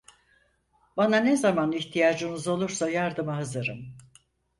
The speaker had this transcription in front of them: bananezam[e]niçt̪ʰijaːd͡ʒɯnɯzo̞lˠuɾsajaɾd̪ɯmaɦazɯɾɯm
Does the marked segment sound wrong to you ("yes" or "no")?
yes